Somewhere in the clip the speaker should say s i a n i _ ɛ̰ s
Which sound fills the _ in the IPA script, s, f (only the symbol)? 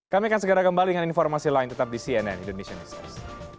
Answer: s